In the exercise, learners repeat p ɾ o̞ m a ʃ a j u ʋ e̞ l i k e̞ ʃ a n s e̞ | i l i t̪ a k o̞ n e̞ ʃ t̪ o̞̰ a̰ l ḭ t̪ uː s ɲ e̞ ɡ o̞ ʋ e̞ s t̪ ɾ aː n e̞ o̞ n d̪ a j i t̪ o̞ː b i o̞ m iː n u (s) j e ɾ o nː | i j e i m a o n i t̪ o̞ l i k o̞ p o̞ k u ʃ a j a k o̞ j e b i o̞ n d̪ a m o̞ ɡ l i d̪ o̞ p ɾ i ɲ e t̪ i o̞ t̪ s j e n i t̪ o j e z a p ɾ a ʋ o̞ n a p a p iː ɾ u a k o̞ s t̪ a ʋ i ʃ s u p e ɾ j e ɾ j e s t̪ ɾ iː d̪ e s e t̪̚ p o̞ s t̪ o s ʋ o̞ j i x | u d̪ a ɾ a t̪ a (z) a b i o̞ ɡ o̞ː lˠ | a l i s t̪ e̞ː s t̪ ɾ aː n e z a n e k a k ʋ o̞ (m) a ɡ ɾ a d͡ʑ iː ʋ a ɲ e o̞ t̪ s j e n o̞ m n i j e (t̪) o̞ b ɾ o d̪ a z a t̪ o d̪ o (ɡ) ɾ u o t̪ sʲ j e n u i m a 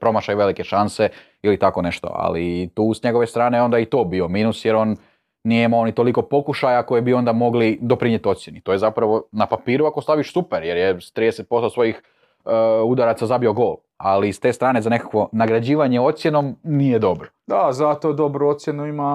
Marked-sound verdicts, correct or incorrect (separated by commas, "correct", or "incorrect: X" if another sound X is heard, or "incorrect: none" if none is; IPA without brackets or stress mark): correct, correct, incorrect: n, incorrect: d̪, incorrect: b